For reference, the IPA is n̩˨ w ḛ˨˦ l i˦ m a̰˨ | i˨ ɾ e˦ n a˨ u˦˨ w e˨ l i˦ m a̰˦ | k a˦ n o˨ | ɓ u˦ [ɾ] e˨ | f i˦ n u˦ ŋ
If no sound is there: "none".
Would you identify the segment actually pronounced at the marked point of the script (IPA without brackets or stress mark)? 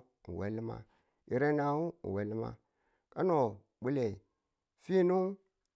l